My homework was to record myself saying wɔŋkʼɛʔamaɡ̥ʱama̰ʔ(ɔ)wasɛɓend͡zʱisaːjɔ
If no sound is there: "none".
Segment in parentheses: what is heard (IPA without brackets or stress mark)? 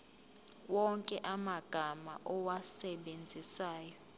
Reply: ɔ